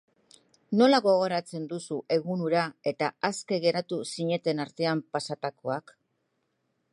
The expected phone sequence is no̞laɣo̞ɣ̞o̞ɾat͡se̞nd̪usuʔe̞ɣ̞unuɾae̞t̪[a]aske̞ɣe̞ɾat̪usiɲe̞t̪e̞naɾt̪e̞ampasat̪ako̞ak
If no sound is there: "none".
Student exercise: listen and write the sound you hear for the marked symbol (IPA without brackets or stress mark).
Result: a